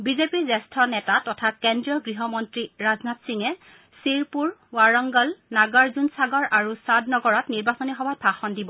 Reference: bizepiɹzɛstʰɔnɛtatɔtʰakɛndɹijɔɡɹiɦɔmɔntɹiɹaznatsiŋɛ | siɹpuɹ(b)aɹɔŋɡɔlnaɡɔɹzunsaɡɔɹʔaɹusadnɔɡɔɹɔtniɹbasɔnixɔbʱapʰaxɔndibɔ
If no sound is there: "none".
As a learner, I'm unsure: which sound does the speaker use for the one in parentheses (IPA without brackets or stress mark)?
w